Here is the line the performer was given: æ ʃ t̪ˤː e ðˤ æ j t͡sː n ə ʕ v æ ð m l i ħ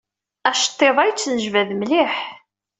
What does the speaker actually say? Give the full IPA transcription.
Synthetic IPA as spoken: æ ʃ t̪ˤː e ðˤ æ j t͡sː n ə ʒ v æ ð m l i ħ